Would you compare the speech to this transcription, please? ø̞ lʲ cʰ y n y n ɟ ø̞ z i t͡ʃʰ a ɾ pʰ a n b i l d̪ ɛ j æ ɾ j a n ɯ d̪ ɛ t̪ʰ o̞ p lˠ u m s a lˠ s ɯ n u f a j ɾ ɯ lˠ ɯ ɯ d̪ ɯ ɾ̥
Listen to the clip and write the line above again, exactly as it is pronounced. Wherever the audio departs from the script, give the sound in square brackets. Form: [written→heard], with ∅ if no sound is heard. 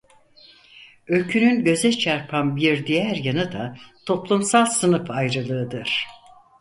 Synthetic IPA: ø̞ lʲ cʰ y n y n ɟ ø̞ z [i→ɛ] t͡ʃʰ a ɾ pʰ a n b i [l→ɾ] d̪ [ɛ→i] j æ ɾ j a n ɯ d̪ [ɛ→a] t̪ʰ o̞ p lˠ u m s a lˠ s ɯ n [u→ɯ] f a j ɾ ɯ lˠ ɯ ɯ d̪ ɯ ɾ̥